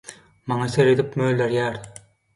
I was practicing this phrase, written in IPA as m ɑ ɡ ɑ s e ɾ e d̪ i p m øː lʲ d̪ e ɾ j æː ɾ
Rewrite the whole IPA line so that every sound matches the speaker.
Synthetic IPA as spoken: m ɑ ŋ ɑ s e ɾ e d̪ i p m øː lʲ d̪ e ɾ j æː ɾ